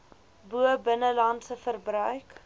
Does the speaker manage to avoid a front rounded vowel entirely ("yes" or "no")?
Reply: no